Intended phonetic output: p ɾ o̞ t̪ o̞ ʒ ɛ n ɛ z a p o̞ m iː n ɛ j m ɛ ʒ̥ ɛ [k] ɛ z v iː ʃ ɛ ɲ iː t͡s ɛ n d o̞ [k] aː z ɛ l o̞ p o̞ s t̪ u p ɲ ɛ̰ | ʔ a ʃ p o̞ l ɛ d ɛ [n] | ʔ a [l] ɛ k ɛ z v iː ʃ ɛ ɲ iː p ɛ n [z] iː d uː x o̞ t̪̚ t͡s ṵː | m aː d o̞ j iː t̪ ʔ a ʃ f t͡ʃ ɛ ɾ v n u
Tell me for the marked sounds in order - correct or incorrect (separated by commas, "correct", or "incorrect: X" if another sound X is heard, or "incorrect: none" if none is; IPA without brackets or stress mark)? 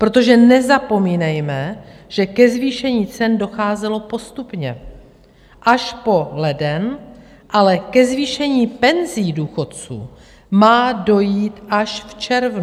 correct, incorrect: x, correct, correct, correct